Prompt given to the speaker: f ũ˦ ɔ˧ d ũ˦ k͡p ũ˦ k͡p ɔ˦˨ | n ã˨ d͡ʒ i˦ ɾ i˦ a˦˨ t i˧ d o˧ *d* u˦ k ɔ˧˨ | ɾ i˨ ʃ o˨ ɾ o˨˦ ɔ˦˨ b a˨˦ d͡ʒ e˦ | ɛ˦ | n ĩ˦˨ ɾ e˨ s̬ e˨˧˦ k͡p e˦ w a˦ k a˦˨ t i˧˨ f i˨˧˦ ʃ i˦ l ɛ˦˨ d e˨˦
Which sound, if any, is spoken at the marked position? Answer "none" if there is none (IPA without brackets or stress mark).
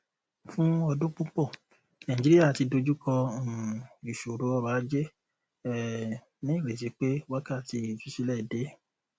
d͡ʒ